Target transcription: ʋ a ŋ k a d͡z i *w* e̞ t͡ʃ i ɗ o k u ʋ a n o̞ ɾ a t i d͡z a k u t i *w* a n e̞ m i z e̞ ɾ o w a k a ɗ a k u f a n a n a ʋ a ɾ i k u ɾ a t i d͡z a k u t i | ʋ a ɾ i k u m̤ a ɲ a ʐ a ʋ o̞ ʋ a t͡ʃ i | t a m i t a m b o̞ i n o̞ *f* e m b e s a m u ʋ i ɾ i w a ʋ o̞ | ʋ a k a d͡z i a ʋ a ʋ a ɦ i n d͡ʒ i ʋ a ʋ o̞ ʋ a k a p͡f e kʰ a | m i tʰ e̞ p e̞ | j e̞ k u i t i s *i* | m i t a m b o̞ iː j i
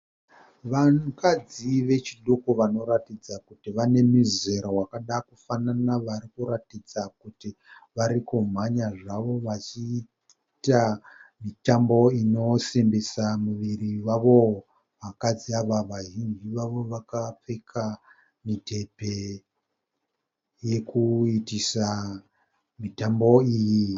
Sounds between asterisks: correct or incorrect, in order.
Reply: incorrect: ʋ, incorrect: ʋ, incorrect: s, incorrect: a

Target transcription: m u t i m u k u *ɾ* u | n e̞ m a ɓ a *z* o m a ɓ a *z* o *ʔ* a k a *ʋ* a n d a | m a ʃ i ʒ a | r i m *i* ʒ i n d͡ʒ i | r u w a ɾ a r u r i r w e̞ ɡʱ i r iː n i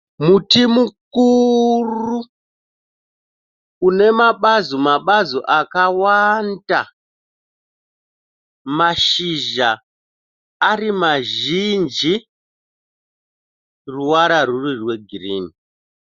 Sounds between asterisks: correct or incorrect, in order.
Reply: incorrect: r, correct, correct, correct, incorrect: w, incorrect: a

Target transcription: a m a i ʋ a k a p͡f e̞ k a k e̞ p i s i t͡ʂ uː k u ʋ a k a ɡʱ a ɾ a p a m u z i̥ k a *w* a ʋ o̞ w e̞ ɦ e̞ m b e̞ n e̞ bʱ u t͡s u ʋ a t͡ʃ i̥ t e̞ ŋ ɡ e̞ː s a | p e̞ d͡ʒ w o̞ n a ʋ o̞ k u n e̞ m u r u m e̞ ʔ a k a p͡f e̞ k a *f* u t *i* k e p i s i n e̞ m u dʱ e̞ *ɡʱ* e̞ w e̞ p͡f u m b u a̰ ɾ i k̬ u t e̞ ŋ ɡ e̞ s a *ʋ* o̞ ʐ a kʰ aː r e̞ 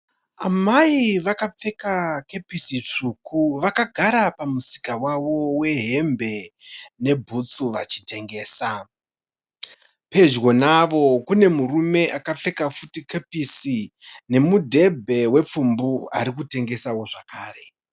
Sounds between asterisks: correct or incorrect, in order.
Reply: correct, correct, correct, incorrect: bʱ, incorrect: w

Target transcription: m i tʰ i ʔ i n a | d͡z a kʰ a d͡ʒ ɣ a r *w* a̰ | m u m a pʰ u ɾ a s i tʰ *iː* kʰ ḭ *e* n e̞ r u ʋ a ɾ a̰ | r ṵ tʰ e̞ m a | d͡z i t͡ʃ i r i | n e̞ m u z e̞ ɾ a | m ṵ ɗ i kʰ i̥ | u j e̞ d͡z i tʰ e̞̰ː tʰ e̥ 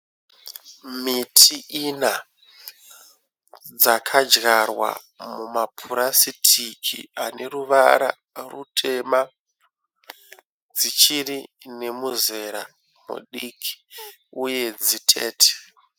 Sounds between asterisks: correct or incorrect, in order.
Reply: correct, incorrect: i, incorrect: a

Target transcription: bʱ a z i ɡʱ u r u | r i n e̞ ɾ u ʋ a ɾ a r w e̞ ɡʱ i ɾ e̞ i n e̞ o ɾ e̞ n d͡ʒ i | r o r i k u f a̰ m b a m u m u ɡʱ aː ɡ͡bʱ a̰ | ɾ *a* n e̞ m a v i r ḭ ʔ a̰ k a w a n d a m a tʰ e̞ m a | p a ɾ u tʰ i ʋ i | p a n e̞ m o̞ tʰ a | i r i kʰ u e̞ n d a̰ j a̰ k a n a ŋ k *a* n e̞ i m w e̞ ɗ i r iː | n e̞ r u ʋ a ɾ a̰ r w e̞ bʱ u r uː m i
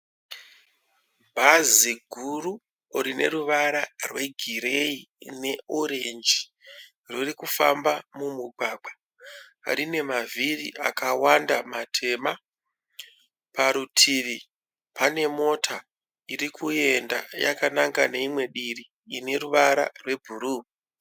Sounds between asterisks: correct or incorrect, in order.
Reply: incorrect: i, correct

